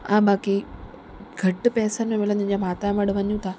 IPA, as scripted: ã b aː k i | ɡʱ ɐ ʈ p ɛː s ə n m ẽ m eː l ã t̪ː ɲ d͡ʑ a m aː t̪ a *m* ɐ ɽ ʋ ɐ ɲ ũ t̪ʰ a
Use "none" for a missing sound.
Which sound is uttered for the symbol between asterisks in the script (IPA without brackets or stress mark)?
m